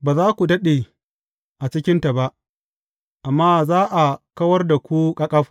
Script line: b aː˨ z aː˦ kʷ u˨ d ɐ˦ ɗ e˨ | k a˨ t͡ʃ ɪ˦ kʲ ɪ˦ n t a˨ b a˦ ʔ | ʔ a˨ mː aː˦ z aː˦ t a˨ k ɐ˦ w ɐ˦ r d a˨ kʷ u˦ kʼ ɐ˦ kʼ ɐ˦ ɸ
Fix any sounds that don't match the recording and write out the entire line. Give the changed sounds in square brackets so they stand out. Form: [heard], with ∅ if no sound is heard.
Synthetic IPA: b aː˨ z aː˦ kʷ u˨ d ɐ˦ ɗ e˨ | [ʔ] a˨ t͡ʃ ɪ˦ kʲ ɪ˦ n t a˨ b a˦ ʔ | ʔ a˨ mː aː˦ z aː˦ [ʔ] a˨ k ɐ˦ w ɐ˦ r d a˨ kʷ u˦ kʼ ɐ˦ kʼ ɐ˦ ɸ

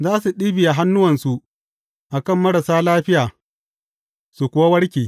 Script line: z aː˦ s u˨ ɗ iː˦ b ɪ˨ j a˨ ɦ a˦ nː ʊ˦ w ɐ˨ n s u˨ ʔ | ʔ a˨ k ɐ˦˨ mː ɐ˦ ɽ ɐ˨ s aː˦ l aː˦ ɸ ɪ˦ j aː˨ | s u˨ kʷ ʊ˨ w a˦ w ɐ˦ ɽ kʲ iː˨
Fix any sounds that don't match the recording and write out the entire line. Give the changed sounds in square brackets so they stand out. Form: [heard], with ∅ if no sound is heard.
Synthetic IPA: z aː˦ s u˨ ɗ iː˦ b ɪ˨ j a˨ ɦ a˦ nː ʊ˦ w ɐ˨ n s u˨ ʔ | ʔ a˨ k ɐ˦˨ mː ɐ˦ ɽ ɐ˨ s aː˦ l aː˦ ɸ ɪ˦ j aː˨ | s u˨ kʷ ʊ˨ w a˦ w ɐ˦ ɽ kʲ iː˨

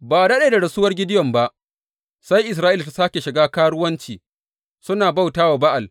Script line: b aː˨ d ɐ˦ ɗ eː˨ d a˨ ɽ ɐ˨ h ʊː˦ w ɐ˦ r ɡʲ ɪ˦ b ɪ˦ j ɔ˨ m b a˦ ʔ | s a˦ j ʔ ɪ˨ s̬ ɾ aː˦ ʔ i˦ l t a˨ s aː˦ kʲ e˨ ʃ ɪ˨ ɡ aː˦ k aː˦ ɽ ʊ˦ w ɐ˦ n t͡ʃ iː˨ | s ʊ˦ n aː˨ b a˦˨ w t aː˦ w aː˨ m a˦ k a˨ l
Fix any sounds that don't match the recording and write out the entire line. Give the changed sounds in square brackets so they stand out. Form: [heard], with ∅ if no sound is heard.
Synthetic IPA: b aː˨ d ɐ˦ ɗ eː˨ d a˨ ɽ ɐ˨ [s] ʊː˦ w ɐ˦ r ɡʲ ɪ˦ [d] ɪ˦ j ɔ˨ m b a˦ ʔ | s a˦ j ʔ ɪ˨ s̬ ɾ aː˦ ʔ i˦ l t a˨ s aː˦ kʲ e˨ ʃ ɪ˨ ɡ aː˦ k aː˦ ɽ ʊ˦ w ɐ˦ n t͡ʃ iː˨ | s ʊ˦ n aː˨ b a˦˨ w t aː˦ w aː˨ [b] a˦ [ʔ] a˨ l

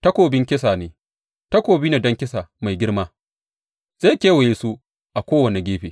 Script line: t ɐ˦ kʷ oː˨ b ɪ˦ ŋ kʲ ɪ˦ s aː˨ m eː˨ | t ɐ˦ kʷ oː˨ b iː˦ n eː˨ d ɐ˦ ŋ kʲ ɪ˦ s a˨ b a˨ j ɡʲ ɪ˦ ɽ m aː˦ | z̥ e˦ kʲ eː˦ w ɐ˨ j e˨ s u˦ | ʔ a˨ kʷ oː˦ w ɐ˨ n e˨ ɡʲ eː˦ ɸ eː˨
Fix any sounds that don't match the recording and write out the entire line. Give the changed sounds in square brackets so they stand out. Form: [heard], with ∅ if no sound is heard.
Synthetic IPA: t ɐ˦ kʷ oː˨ b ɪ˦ ŋ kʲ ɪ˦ s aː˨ [n] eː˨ | t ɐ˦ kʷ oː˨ b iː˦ n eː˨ d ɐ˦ ŋ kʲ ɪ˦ s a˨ [m] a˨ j ɡʲ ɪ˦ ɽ m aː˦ | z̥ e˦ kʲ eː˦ w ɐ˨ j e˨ s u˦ | ʔ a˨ kʷ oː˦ w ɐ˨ n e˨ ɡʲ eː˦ ɸ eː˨

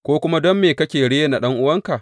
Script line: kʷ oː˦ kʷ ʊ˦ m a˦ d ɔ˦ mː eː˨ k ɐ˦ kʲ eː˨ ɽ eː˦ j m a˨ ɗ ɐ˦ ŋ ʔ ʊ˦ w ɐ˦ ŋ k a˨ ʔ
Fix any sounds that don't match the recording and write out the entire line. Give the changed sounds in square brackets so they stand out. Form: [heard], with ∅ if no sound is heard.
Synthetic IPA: kʷ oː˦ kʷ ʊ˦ m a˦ d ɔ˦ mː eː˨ k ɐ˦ kʲ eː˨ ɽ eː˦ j [n] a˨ ɗ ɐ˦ ŋ ʔ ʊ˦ w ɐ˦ ŋ k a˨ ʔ

